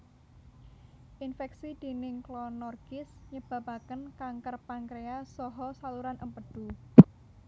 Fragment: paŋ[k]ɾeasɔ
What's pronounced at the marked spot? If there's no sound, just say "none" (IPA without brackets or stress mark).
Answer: k